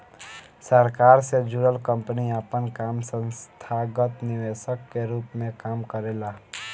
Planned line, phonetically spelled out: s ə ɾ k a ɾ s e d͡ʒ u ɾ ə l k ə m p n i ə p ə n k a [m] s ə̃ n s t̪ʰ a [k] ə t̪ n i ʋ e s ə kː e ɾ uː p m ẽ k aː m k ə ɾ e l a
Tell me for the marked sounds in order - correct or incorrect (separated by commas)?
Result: correct, incorrect